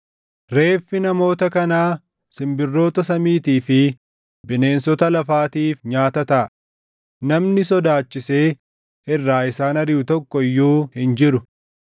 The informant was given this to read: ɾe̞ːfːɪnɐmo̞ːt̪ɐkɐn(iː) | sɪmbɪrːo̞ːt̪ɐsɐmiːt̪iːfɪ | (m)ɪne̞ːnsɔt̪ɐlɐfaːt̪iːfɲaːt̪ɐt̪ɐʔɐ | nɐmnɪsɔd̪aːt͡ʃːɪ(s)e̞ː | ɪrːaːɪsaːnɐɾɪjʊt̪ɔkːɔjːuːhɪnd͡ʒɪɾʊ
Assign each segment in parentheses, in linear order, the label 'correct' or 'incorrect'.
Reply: incorrect, incorrect, correct

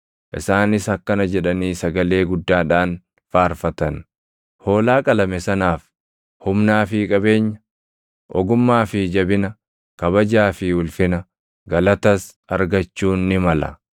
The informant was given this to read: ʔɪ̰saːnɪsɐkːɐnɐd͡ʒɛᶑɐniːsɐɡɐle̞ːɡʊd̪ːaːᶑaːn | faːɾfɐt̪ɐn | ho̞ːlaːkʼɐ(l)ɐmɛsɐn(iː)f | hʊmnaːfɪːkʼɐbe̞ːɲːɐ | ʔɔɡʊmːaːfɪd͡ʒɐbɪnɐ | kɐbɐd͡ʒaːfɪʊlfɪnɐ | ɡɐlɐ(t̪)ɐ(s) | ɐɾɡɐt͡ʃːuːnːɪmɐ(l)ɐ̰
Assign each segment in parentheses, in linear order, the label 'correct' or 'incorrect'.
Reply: correct, incorrect, correct, correct, correct

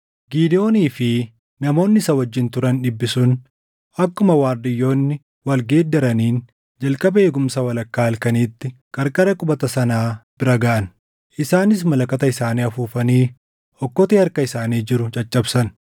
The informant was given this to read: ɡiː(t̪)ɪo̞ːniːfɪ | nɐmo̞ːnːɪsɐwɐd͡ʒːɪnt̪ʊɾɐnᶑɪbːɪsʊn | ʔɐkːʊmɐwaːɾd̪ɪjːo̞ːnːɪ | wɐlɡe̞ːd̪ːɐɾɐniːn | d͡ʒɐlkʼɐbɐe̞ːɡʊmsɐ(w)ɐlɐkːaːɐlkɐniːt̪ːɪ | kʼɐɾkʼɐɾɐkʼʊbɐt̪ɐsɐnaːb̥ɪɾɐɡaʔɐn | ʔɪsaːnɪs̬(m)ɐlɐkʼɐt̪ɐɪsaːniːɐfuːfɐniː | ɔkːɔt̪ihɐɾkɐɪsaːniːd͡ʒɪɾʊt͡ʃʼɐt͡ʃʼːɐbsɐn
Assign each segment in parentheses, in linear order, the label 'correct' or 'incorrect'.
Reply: incorrect, correct, correct

